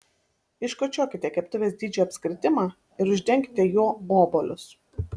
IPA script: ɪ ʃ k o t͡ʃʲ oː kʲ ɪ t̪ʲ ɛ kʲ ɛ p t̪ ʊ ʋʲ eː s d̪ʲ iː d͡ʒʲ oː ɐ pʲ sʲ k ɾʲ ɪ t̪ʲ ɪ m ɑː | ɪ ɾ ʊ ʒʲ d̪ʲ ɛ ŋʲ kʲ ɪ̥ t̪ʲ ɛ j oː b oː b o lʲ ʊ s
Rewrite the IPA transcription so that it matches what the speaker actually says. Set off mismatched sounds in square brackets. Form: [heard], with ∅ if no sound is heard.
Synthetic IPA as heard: ɪ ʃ k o t͡ʃʲ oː kʲ ɪ t̪ʲ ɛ kʲ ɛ p t̪ ʊ ʋʲ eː s d̪ʲ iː d͡ʒʲ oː ɐ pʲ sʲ k ɾʲ ɪ t̪ʲ ɪ m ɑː | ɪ ɾ ʊ ʒʲ d̪ʲ ɛ ŋʲ kʲ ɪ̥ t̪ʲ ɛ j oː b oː b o lʲ ʊ s